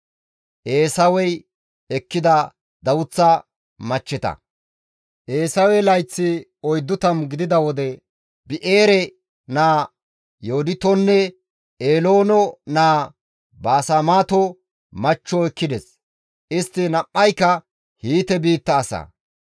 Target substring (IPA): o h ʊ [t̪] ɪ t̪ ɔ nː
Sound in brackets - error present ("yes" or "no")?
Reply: yes